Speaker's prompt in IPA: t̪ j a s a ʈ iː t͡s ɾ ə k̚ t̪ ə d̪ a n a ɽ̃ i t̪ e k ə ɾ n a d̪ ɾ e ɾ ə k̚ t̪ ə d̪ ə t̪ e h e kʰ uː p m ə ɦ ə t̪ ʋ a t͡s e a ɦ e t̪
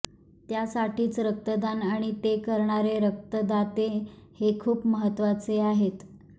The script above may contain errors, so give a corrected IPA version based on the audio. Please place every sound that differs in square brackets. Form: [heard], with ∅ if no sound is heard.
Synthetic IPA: t̪ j a s a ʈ iː t͡s ɾ ə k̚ t̪ ə d̪ a n a ɽ̃ i t̪ e k ə ɾ [ɳ] a [∅] ɾ e ɾ ə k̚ t̪ ə d̪ [a] t̪ e h e kʰ uː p m ə ɦ ə t̪ ʋ a t͡s e a ɦ e t̪